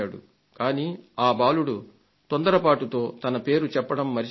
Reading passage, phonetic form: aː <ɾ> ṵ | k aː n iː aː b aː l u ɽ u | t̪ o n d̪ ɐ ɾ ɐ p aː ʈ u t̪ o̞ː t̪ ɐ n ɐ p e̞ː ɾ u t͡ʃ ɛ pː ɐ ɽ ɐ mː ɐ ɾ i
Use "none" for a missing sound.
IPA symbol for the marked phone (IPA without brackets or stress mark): ɽ